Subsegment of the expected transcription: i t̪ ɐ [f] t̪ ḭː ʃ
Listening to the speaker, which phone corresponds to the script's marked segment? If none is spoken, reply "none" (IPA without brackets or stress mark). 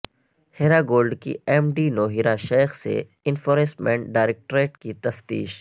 f